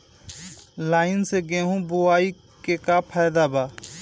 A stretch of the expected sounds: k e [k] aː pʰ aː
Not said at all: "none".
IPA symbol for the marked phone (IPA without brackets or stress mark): k